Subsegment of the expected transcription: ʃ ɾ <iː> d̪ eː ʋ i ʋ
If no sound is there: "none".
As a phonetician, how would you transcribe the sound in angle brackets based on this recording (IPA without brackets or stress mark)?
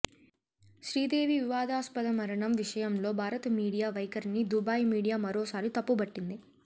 iː